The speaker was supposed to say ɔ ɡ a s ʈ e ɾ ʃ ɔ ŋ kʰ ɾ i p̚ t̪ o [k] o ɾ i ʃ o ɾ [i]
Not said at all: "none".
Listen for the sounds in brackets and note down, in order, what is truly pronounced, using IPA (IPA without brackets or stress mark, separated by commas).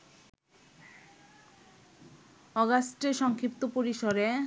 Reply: p, e